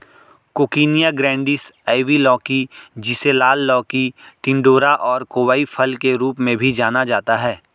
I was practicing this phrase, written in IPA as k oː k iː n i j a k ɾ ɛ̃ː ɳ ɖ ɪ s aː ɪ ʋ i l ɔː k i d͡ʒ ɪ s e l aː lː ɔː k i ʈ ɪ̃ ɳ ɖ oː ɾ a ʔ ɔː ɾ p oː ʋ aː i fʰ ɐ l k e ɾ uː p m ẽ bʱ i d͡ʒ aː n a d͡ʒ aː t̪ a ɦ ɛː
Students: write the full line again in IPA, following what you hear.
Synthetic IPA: k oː k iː n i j a ɡ ɾ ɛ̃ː ɳ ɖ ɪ s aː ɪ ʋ i l ɔː k i d͡ʒ ɪ s e l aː lː ɔː k i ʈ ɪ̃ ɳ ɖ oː ɾ a ʔ ɔː ɾ k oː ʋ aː i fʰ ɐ l k e ɾ uː p m ẽ bʱ i d͡ʒ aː n a d͡ʒ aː t̪ a ɦ ɛː